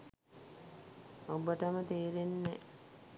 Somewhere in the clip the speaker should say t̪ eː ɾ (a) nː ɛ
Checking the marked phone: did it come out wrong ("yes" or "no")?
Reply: yes